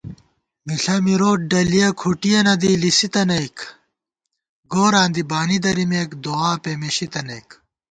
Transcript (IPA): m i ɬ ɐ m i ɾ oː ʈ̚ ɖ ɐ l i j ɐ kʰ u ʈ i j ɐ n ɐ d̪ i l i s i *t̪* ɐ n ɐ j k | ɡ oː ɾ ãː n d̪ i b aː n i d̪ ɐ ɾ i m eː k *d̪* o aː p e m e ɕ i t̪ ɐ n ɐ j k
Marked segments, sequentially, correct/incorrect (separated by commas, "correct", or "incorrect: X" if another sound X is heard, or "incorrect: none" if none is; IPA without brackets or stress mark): correct, correct